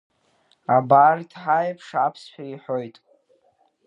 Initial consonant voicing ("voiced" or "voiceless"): voiced